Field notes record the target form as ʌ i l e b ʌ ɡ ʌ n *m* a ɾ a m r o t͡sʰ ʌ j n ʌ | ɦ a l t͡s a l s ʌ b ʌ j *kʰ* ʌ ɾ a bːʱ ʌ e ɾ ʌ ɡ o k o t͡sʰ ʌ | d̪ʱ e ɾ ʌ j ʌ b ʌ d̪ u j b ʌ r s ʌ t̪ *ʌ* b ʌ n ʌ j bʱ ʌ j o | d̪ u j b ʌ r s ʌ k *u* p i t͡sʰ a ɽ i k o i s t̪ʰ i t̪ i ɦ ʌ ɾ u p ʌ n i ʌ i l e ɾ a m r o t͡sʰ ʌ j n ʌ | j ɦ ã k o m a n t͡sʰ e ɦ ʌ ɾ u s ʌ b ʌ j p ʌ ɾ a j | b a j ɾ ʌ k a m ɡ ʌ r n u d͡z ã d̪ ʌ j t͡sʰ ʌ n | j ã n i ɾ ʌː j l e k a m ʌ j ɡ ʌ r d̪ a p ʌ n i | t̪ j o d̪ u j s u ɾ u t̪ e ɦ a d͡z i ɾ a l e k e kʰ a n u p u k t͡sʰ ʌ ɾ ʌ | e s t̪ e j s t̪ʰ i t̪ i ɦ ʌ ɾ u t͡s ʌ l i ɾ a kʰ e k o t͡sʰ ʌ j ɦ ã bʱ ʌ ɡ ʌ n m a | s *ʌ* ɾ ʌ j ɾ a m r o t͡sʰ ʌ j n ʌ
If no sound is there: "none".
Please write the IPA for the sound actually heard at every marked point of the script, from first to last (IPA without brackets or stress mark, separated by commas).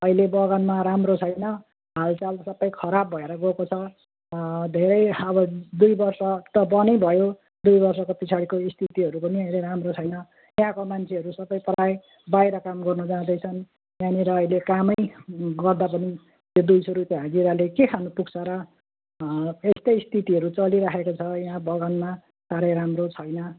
m, kʰ, ʌ, o, a